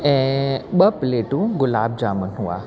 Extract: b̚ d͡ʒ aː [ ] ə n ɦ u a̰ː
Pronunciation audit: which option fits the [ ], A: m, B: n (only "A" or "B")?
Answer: A